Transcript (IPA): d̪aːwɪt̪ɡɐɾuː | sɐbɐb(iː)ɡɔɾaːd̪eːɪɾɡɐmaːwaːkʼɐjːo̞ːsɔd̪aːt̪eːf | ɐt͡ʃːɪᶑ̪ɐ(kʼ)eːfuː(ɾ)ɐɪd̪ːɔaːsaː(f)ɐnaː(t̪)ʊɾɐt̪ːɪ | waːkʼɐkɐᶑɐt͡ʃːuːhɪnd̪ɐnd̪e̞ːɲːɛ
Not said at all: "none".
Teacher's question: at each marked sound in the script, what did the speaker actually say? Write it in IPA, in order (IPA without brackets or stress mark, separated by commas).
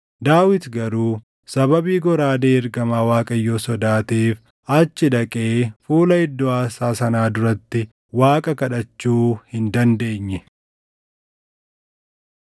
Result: iː, kʼ, l, s, d̪